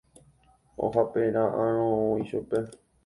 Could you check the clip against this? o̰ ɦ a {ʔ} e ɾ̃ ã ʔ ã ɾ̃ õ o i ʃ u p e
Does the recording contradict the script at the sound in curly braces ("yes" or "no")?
yes